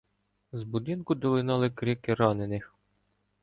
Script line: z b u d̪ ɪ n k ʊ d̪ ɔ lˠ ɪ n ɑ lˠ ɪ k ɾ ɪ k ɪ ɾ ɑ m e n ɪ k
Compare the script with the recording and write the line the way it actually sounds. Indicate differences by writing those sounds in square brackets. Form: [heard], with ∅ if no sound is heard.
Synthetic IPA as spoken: z b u d̪ ɪ n k ʊ d̪ ɔ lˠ ɪ n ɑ lˠ ɪ k ɾ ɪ k ɪ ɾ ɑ [n] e n ɪ [x]